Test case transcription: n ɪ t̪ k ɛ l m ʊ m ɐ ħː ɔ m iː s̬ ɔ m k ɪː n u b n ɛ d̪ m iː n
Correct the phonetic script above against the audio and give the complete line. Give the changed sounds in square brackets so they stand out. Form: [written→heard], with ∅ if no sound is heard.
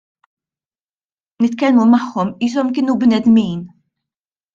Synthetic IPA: n ɪ t̪ k ɛ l m [ʊ→u] m ɐ ħː ɔ m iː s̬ ɔ m k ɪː n u b n ɛ d̪ m iː n